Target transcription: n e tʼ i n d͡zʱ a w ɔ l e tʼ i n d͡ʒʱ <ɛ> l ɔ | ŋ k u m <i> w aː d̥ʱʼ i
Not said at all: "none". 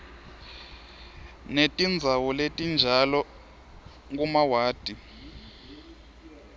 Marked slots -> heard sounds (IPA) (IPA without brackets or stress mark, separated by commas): a, a